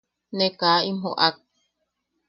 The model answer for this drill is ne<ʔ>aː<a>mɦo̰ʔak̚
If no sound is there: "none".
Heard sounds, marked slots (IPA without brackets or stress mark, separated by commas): k, i